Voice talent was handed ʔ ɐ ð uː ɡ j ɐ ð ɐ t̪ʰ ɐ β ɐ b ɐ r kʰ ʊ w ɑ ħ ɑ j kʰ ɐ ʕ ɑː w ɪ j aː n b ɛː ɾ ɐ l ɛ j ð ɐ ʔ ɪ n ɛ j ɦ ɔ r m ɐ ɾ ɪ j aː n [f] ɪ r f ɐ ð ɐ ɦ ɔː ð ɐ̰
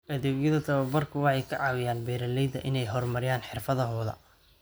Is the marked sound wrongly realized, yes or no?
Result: yes